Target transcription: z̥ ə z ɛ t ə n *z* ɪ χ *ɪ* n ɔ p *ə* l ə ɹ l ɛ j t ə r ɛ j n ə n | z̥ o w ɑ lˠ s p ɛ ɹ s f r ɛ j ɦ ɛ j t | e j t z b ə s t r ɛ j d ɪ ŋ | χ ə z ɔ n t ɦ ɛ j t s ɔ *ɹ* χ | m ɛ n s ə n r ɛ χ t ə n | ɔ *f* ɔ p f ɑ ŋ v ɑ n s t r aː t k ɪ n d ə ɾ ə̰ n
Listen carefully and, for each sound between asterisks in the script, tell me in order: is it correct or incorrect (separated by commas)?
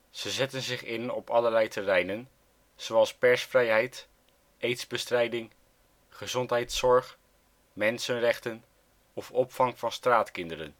correct, correct, incorrect, correct, correct